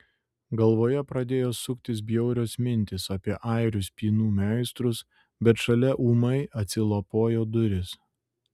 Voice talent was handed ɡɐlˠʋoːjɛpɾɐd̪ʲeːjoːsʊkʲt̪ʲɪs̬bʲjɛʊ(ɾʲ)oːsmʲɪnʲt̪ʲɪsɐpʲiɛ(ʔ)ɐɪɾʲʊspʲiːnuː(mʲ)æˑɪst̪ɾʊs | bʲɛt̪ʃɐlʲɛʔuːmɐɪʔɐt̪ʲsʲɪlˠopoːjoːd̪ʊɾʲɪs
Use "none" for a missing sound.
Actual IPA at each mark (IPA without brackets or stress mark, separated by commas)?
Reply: ɾʲ, ʔ, mʲ